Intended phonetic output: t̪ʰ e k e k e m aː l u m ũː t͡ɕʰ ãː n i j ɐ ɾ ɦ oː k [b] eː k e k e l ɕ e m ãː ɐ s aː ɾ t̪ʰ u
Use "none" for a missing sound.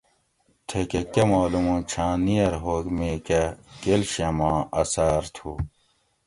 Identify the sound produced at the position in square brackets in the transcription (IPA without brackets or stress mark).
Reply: m